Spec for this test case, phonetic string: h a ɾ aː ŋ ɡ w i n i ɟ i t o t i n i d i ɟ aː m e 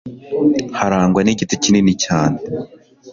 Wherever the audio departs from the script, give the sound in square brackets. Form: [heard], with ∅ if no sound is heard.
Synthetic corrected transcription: h a ɾ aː ŋ ɡ w [a] n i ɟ i t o [c] i n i [n] i [c] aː [n] e